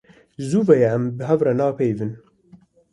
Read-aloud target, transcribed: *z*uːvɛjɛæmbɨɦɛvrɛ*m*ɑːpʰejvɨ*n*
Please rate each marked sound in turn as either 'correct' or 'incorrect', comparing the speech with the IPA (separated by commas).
correct, incorrect, correct